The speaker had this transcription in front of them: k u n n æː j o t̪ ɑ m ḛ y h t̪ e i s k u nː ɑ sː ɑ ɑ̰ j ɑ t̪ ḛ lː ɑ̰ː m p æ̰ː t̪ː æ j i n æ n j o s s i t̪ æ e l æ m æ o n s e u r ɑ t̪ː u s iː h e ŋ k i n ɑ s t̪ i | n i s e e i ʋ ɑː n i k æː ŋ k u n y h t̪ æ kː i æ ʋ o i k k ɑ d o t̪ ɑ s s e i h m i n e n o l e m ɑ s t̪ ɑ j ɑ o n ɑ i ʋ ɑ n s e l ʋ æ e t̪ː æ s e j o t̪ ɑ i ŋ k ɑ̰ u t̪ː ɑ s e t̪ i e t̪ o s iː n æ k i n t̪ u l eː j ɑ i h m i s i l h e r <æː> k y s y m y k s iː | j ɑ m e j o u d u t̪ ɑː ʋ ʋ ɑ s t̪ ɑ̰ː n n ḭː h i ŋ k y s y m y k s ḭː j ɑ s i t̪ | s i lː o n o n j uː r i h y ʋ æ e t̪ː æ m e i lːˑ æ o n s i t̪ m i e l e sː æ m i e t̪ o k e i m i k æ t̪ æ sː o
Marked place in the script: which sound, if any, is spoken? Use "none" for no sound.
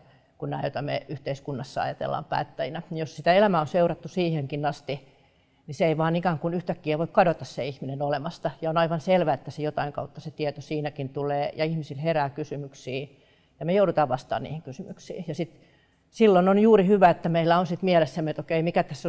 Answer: æː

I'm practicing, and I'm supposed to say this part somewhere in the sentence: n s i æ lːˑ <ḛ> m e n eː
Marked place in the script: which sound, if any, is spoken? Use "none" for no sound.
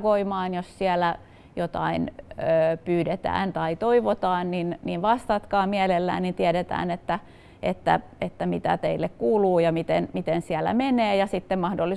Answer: æ̰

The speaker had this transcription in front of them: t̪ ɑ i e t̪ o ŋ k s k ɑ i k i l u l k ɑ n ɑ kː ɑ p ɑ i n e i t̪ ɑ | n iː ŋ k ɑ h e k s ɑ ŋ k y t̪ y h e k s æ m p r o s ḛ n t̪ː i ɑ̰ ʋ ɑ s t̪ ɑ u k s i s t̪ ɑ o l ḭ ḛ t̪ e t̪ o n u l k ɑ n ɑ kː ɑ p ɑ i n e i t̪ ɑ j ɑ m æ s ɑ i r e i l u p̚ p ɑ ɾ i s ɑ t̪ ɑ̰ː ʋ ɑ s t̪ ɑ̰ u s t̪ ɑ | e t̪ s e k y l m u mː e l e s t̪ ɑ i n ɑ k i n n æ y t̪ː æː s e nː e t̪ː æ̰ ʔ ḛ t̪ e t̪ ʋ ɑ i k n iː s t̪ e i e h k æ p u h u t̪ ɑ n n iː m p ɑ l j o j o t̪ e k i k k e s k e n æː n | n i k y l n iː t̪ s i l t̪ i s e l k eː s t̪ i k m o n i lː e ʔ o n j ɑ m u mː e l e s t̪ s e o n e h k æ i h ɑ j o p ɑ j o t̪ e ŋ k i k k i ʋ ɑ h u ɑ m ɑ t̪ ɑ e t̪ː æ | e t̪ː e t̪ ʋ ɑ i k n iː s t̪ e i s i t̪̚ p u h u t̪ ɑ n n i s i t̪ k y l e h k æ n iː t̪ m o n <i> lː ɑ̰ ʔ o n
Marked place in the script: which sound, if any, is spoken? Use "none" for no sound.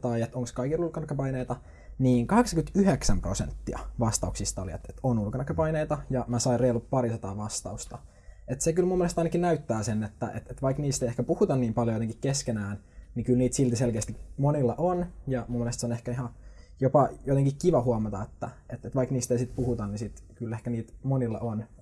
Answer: i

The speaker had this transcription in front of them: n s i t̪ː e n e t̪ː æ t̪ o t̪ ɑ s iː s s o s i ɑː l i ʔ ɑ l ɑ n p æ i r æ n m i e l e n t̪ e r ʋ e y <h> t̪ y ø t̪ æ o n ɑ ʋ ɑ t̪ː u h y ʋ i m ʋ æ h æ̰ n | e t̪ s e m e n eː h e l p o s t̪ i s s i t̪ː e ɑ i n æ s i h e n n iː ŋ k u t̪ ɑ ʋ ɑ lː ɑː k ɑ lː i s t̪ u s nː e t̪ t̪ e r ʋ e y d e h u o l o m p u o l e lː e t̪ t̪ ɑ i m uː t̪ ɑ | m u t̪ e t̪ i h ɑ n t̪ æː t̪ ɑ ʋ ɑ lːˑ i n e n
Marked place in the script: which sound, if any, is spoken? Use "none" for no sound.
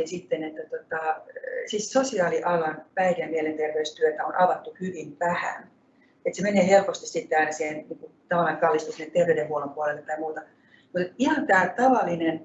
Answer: s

